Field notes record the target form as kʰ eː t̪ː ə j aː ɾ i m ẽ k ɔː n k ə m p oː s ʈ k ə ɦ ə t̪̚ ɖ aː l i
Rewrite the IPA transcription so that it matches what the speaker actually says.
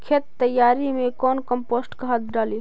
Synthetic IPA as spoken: kʰ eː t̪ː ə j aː ɾ i m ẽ k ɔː n k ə m p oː s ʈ k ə ɦ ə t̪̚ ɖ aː l i